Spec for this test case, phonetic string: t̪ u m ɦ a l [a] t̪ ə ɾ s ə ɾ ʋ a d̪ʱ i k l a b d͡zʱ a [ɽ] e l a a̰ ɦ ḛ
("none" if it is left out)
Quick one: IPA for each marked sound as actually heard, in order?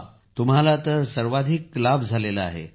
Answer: a, l

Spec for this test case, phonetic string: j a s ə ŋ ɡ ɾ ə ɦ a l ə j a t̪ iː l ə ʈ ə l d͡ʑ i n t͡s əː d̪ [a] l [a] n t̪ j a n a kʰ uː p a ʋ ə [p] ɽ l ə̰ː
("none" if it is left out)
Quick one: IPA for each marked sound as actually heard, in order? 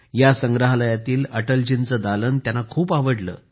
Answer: a, ə, none

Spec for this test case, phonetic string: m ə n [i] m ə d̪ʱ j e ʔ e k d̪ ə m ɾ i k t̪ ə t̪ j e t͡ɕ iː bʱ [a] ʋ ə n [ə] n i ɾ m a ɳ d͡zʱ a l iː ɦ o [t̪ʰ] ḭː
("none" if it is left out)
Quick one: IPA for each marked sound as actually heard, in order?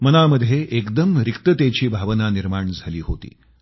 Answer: a, a, a, t̪

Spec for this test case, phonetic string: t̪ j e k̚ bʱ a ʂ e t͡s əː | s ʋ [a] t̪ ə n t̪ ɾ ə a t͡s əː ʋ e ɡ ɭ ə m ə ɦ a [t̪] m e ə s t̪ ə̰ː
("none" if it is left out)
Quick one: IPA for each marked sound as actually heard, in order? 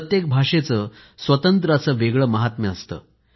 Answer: ə, t̪

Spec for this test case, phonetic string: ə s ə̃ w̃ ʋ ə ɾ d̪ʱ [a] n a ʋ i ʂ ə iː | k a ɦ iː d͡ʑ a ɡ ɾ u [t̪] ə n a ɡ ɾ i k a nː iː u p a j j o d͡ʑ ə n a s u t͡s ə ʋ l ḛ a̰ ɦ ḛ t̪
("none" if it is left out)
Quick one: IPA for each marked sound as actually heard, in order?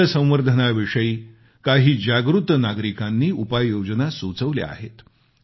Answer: ə, t̪

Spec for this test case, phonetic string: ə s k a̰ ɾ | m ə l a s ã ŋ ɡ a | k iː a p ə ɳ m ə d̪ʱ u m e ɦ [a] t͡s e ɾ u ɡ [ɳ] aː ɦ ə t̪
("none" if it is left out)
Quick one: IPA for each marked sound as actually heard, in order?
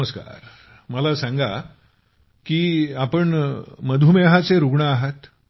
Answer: a, ɳ

